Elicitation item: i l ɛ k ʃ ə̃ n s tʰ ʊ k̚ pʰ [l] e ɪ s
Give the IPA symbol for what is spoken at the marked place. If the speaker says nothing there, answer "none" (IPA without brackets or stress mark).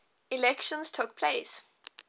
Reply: l